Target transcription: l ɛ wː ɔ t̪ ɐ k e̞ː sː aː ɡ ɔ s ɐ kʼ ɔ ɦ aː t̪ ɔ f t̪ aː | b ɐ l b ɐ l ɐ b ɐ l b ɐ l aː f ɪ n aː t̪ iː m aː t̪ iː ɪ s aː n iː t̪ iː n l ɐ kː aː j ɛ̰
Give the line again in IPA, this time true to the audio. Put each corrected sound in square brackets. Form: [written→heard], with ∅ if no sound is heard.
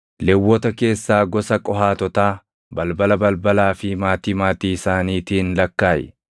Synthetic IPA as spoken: l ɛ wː ɔ t̪ ɐ k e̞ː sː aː ɡ ɔ s ɐ kʼ ɔ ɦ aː t̪ ɔ [f→∅] t̪ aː | b ɐ l b ɐ l ɐ b ɐ l b ɐ l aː f ɪ [n→m] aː t̪ iː m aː t̪ iː ɪ s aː n iː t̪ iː n l ɐ kː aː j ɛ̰